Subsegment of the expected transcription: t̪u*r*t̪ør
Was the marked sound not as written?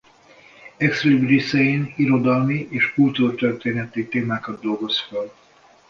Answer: no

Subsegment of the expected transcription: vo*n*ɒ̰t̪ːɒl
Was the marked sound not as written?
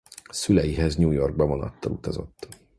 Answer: no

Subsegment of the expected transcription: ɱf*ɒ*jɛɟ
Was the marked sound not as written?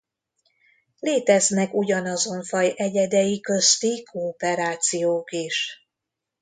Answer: no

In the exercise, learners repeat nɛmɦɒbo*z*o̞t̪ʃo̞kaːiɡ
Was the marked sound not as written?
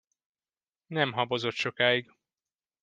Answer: no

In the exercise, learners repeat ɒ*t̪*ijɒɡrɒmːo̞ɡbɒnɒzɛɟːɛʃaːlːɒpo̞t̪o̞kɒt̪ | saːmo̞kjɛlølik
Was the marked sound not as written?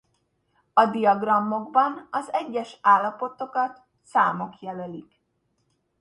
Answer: yes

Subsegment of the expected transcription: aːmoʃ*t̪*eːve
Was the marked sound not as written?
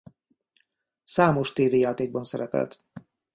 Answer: no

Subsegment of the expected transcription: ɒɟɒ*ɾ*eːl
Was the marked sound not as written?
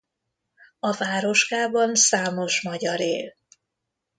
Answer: no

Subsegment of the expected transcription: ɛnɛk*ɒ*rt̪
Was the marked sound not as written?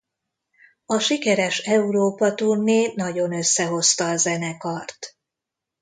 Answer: no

